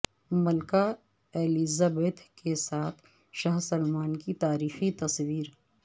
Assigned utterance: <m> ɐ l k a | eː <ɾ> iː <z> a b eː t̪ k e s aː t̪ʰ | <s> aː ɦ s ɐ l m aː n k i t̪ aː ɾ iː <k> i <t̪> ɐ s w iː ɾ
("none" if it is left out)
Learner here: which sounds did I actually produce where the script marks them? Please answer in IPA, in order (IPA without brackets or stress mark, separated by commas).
m, l, z, ʃ, x, t̪